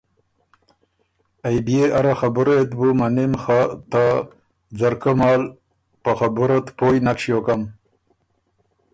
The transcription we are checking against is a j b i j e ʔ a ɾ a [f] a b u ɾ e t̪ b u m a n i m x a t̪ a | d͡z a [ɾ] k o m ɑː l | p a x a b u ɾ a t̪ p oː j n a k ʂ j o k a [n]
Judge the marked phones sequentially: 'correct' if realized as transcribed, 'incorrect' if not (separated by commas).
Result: incorrect, correct, incorrect